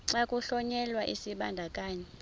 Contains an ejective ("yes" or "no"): yes